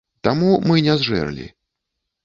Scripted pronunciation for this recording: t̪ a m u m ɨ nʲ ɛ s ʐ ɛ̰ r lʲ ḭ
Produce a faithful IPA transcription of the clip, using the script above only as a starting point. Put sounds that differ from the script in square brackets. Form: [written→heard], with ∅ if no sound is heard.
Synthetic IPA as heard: t̪ a m u m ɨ nʲ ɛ [s→z] ʐ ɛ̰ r lʲ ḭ